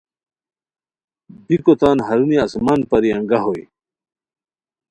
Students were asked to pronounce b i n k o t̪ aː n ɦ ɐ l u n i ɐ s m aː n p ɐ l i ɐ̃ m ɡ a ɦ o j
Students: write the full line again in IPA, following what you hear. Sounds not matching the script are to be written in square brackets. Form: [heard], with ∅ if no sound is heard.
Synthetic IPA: b i [∅] k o t̪ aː n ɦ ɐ [ɾ] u n i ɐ s m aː n p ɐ [ɾ] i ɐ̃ [ŋ] ɡ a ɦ o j